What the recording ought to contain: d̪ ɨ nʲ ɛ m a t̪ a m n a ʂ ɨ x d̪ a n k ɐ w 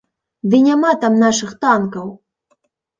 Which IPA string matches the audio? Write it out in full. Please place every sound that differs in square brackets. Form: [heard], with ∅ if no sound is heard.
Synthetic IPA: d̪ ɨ nʲ [a] m a t̪ a m n a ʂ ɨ x [t̪] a n k ɐ w

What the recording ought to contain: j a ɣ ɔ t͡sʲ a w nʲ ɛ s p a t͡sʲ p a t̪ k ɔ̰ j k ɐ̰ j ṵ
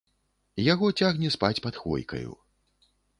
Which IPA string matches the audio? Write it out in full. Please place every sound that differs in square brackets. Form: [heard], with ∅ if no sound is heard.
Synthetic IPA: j a ɣ ɔ t͡sʲ a [ɣ] nʲ ɛ s p a t͡sʲ p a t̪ [x] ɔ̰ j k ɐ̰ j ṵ

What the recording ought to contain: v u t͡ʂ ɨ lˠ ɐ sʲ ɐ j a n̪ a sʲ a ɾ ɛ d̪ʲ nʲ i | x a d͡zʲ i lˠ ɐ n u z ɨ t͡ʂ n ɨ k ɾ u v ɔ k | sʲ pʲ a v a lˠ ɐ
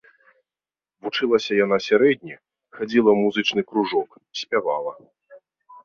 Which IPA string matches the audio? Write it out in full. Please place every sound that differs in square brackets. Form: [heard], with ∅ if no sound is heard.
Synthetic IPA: v u t͡ʂ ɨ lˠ ɐ sʲ ɐ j a n̪ a sʲ a ɾ ɛ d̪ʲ nʲ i | x a d͡zʲ i lˠ ɐ [m] u z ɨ t͡ʂ n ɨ k ɾ u [ʐ] ɔ k | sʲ pʲ a v a lˠ ɐ

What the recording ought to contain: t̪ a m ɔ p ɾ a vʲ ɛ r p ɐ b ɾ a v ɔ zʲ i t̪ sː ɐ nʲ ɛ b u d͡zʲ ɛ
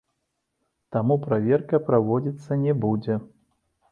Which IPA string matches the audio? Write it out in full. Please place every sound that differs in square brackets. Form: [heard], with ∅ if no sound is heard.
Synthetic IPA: t̪ a m [u] p ɾ a vʲ ɛ r [k] ɐ [p] ɾ a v ɔ [d͡zʲ] i t̪ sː ɐ nʲ ɛ b u d͡zʲ ɛ

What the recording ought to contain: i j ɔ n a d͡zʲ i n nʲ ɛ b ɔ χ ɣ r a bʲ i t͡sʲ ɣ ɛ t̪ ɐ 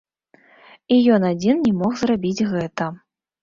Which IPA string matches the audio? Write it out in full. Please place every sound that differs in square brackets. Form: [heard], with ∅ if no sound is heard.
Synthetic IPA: i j ɔ n a d͡zʲ i n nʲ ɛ [m] ɔ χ [z] r a bʲ i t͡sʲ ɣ ɛ t̪ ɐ

